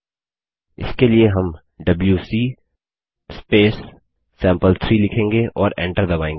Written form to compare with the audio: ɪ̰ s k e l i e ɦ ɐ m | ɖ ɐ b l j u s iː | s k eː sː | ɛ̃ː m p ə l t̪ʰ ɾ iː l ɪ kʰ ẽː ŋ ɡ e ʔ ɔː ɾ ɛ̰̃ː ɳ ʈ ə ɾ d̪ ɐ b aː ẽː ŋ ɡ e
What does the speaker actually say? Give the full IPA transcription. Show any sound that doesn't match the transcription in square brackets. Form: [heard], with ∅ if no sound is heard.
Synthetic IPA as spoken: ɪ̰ s k e l i e ɦ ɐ m | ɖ ɐ b l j u s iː | s [p] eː sː | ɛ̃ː m p ə l t̪ʰ ɾ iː l ɪ kʰ ẽː ŋ ɡ e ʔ ɔː ɾ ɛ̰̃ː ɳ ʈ ə ɾ d̪ ɐ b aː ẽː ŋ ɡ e